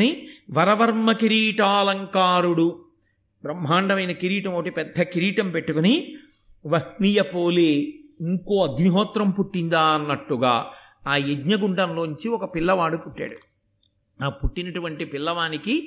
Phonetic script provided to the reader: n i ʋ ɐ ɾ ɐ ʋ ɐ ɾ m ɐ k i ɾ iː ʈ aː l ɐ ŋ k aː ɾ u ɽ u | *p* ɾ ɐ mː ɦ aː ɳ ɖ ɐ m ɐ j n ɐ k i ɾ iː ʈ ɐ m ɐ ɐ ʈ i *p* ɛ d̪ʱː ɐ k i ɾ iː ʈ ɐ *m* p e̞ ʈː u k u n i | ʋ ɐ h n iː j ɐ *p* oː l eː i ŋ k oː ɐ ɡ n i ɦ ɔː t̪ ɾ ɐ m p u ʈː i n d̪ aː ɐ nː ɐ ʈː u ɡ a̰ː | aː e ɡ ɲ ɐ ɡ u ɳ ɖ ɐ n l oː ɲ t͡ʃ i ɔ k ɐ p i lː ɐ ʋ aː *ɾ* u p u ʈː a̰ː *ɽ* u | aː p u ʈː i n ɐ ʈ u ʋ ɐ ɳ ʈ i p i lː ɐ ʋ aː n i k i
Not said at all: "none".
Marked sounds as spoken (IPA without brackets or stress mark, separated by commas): b, p, m, p, ɽ, ɽ